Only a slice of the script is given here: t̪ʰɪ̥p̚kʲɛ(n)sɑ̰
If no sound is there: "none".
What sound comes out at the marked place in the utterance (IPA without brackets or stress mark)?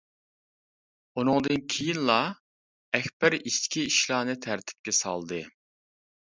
none